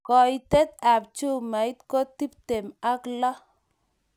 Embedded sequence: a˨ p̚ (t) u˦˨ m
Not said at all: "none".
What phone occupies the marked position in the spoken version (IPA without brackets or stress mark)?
t͡ʃ